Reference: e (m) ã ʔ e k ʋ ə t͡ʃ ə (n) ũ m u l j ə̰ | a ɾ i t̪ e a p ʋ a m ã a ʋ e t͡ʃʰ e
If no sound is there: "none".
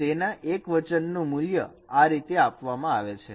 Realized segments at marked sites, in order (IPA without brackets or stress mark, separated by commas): n, nː